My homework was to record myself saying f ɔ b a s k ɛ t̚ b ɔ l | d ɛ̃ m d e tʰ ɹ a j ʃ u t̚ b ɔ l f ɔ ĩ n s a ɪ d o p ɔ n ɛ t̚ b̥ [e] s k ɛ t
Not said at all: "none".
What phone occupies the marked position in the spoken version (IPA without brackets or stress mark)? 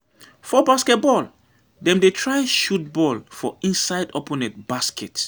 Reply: a